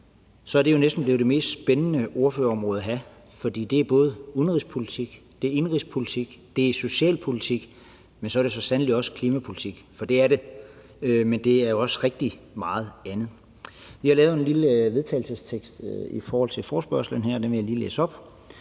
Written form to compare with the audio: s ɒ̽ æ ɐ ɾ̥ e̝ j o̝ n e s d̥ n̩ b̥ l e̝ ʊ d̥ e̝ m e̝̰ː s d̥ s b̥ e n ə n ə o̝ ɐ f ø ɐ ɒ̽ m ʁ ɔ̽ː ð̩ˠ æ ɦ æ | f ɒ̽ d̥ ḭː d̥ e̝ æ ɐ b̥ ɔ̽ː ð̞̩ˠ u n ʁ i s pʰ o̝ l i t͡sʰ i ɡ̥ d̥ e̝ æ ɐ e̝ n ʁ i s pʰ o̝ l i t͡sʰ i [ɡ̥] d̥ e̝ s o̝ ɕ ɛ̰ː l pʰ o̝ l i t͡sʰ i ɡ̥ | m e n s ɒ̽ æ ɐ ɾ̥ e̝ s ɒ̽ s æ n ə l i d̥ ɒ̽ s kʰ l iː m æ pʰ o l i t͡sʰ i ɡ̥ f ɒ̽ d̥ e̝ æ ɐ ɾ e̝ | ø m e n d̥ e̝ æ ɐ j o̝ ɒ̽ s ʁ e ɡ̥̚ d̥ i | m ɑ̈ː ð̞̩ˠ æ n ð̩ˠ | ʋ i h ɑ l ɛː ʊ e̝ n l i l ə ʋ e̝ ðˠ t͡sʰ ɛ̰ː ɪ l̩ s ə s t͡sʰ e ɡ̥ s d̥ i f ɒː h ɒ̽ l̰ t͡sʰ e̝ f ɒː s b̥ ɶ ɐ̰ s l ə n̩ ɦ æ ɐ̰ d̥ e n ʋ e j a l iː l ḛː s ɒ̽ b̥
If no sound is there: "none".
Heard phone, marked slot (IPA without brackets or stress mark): ɡ̥